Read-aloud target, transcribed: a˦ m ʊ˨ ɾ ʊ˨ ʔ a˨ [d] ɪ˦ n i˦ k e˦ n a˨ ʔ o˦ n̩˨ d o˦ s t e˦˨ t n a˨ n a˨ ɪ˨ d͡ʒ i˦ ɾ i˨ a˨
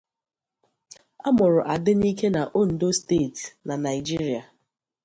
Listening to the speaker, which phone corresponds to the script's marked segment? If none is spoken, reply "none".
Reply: d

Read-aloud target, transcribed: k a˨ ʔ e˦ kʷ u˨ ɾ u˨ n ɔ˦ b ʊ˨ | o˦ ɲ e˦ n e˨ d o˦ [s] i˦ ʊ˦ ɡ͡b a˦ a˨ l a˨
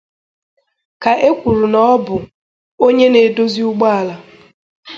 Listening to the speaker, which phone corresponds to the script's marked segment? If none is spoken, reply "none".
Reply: z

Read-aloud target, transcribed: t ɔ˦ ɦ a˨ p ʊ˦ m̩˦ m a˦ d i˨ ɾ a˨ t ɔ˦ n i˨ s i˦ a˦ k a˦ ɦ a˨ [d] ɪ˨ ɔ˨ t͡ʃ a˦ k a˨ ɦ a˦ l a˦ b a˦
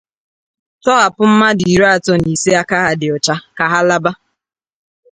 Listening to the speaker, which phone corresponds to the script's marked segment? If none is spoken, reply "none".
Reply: d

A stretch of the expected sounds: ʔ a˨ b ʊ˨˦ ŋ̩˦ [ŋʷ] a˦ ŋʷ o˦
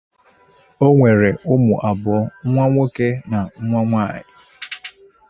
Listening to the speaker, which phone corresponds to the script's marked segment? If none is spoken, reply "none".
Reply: ŋʷ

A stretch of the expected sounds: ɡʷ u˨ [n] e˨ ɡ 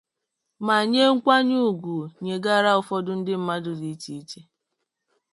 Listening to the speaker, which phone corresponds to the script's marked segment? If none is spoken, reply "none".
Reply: ɲ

